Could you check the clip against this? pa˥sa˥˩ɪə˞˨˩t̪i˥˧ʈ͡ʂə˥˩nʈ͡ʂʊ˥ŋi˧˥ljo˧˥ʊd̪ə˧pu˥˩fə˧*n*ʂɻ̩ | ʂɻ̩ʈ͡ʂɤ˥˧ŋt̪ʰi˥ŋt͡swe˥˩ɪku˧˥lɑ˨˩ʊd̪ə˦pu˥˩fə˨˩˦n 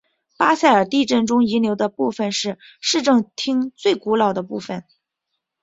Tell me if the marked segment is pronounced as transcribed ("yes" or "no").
yes